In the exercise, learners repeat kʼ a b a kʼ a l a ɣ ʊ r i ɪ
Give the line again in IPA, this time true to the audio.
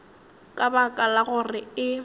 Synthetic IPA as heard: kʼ a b a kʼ a l a ɣ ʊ r ɪ ɪ

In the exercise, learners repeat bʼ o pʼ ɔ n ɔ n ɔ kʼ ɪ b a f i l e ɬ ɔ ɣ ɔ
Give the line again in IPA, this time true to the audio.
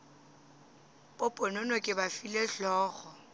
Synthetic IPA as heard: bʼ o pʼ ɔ n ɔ n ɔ kʼ ɪ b a f i l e ɬ ɔː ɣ ɔ

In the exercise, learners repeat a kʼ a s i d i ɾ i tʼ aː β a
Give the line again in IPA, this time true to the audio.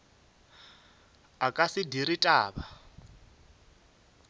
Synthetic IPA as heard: a kʼ a s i d i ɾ i tʼ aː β a

